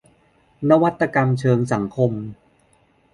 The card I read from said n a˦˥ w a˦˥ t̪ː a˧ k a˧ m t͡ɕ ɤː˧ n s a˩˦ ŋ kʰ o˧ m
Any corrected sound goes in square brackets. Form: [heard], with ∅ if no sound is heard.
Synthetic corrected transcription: n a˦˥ w a˦˥ t̪ː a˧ k a˧ m [t͡ɕʰ] ɤː˧ [ŋ] s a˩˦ ŋ kʰ o˧ m